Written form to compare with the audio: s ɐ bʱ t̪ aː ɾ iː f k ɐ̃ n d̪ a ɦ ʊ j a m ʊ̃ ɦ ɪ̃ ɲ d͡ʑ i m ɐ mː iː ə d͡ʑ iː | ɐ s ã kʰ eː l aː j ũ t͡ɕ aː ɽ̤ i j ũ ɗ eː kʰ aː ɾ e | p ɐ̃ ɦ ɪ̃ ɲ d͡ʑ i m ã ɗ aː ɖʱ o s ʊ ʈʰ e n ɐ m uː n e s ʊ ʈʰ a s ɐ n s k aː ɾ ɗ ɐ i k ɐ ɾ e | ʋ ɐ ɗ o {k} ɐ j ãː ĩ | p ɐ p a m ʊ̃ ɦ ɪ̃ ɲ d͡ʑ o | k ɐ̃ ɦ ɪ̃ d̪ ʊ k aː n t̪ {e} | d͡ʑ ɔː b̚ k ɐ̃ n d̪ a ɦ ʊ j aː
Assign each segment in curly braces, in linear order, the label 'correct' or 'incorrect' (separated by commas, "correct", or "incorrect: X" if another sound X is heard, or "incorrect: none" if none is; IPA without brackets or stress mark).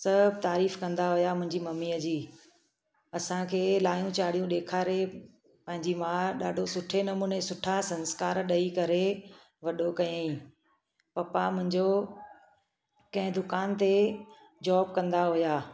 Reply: correct, correct